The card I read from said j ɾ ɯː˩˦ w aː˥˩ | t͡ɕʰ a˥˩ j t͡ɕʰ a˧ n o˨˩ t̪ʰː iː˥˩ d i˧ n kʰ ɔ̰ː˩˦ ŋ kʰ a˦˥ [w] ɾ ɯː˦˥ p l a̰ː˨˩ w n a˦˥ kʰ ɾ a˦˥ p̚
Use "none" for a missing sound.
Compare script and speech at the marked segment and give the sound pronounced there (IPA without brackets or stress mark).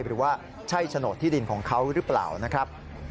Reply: w